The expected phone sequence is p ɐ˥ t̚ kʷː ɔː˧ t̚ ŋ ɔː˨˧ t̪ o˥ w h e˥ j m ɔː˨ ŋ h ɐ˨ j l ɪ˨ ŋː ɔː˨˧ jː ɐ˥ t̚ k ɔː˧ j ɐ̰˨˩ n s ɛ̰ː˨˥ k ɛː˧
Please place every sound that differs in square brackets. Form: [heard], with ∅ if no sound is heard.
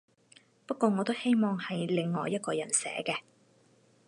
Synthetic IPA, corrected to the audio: p ɐ˥ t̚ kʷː ɔː˧ [∅] ŋ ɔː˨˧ t̪ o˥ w h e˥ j m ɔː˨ ŋ h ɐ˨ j l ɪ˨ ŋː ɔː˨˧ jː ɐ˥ t̚ k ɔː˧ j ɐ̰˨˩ n s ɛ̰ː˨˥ k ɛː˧